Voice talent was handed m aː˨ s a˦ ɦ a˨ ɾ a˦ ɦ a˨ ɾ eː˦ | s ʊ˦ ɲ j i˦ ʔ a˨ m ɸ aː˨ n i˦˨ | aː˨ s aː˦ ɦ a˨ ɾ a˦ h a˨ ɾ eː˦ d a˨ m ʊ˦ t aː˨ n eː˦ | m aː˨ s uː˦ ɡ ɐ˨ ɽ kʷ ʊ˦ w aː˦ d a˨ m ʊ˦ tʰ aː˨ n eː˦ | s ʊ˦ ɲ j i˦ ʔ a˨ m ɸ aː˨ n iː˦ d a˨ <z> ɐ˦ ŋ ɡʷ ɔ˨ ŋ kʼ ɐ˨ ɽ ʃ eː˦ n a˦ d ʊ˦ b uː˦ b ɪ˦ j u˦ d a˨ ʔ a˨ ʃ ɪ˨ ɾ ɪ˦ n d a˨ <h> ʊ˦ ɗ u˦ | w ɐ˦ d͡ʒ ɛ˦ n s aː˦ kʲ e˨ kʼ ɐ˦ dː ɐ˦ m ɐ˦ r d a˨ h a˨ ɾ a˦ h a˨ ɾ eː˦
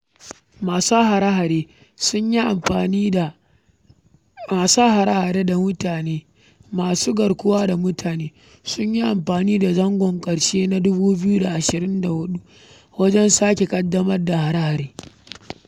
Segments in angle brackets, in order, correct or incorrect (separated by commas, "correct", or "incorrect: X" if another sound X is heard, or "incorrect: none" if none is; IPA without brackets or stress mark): correct, correct